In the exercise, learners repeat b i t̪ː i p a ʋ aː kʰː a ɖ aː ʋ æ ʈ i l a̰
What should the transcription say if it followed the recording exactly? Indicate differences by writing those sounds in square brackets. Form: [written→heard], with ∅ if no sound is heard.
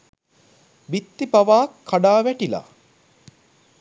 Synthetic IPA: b i t̪ː i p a ʋ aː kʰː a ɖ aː ʋ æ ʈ i l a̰